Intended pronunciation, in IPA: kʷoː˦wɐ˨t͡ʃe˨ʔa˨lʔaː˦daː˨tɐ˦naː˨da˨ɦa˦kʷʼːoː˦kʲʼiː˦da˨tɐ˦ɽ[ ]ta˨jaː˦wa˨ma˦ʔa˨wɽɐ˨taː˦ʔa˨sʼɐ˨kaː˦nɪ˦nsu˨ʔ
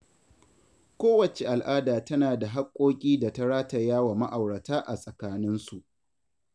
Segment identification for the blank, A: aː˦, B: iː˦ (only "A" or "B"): A